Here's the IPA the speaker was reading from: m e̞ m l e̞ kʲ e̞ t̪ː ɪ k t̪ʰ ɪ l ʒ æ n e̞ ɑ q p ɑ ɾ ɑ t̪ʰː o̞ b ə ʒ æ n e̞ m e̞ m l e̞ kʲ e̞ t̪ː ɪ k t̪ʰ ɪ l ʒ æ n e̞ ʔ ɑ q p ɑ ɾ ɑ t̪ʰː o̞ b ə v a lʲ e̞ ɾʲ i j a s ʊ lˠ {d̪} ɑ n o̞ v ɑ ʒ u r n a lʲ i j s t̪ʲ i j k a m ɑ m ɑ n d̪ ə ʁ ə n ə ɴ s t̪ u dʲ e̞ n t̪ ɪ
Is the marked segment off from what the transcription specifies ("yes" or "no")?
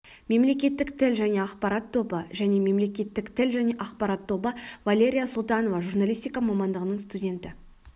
yes